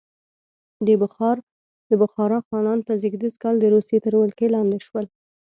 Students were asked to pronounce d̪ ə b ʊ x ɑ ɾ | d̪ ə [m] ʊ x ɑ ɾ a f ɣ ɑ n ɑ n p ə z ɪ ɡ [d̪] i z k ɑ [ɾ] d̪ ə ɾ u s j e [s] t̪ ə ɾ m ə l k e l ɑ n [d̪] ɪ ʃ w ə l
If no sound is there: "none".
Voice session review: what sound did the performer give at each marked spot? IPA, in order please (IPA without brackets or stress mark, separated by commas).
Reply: b, d̪, l, none, d̪